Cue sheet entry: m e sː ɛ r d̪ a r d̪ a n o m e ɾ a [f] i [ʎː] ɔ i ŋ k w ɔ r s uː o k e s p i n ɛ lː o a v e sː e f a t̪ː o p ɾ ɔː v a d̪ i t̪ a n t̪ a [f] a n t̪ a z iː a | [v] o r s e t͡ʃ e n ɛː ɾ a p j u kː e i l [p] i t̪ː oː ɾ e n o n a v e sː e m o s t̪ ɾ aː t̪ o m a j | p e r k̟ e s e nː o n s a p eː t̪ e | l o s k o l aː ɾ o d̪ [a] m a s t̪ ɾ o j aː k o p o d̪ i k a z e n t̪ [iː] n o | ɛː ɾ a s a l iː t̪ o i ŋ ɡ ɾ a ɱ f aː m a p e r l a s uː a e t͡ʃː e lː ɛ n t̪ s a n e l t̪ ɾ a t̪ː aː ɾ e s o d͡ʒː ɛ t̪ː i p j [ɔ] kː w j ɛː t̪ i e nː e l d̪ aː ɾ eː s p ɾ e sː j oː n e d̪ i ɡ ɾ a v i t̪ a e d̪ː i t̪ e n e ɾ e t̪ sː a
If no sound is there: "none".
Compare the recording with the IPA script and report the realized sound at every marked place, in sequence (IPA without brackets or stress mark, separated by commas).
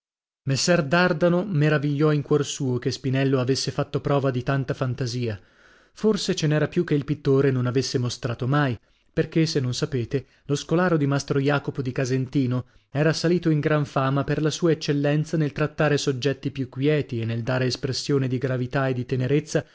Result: v, ʎː, f, f, p, i, iː, u